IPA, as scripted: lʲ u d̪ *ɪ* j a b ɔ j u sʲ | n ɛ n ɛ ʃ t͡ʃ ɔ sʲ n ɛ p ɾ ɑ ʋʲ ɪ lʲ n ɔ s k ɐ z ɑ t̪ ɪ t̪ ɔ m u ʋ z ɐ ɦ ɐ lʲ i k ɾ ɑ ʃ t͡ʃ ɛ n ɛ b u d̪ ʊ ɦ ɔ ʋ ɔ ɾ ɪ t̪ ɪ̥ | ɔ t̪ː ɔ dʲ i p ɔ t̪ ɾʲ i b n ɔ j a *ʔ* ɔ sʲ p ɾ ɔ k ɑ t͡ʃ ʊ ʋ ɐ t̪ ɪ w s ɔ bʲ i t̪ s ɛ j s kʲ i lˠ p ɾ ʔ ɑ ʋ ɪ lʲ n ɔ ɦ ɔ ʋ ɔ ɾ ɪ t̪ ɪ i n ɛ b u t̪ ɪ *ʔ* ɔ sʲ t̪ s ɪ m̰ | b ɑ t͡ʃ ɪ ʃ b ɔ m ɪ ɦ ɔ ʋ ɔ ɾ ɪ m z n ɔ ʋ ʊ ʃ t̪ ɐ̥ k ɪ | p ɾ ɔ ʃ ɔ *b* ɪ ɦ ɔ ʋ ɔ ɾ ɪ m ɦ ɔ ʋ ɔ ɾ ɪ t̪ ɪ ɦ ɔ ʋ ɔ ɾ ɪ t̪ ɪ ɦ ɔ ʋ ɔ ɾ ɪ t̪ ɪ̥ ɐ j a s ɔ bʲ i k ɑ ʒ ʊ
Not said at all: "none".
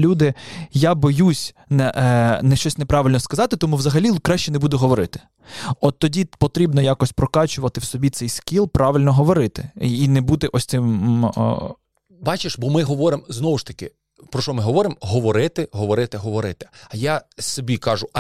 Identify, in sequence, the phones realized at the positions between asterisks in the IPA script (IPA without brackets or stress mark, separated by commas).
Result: ɪ, k, ʔ, m